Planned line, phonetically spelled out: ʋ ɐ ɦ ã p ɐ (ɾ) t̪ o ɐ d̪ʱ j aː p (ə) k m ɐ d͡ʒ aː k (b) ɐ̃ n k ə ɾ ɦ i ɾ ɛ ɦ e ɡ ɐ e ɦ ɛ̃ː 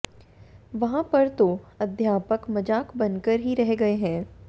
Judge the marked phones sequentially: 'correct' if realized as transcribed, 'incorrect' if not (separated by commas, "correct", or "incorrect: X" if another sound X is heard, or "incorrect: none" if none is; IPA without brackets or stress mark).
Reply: correct, correct, correct